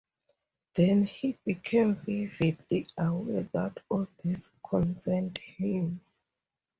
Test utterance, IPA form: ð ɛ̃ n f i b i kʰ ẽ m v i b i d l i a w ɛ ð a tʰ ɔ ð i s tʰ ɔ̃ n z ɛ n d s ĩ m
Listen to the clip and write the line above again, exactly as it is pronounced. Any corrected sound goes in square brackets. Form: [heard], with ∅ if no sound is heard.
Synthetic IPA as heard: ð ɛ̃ n [h] i b i kʰ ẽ m v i [v] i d l i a w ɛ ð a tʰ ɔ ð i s [kʰ] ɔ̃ n [s] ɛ n d [h] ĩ m